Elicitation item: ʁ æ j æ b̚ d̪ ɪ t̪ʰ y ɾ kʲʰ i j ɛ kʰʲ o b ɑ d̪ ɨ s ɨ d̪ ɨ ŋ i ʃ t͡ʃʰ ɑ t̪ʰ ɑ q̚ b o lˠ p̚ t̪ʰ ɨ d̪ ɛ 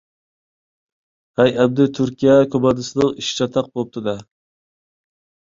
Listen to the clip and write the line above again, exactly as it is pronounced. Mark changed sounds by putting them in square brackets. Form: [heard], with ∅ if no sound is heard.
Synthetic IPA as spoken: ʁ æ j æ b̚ d̪ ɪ t̪ʰ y ɾ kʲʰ i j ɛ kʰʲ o b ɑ d̪ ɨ s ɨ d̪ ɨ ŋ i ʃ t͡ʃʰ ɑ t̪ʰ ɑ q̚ b o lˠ p̚ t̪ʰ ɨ d̪ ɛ